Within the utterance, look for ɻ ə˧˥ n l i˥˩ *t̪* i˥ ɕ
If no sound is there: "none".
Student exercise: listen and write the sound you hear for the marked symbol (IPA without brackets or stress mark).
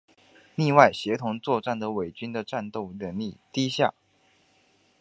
t̪